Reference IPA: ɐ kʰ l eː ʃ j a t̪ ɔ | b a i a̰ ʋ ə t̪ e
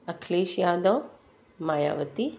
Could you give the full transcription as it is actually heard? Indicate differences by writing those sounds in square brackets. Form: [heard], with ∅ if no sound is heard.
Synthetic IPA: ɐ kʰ l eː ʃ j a [d̪] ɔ | [m] a [j] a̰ ʋ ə t̪ [i]